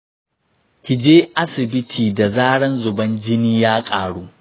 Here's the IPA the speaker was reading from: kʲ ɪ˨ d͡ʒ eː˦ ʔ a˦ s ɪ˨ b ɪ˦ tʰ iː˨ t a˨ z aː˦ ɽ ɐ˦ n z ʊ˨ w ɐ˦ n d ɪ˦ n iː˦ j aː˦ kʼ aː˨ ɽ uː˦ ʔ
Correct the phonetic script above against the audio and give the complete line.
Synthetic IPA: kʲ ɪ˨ d͡ʒ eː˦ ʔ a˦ s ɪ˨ b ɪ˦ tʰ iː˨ d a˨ z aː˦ ɽ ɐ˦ n z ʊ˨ b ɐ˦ n d͡ʒ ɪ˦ n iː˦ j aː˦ kʼ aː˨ ɽ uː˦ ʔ

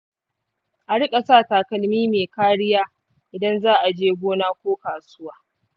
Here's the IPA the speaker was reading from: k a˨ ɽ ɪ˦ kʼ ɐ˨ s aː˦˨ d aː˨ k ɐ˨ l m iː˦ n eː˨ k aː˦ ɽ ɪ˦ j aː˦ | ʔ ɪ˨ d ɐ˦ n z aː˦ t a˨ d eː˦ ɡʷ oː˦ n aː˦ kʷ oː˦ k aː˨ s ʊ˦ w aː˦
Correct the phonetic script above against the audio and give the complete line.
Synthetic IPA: ʔ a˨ ɽ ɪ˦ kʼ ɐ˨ s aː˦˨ t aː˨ k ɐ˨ l m iː˦ m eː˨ k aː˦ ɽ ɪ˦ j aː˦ | ʔ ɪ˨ d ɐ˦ n z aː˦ ʔ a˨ d͡ʒ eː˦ ɡʷ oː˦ n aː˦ kʷ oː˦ k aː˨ s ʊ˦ w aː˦

